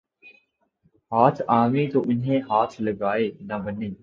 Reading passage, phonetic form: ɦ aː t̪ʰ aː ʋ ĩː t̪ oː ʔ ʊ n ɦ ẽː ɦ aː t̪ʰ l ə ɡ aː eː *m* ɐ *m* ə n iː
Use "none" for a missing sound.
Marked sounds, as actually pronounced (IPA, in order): n, b

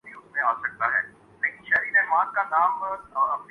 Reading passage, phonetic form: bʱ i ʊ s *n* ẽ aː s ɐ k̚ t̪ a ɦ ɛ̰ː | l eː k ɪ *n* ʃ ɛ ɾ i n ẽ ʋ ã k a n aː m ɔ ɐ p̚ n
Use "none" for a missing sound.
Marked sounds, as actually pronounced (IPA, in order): m, n

